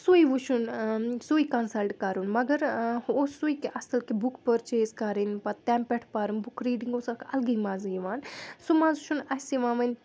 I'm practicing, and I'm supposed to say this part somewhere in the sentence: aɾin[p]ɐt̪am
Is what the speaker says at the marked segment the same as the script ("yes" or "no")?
yes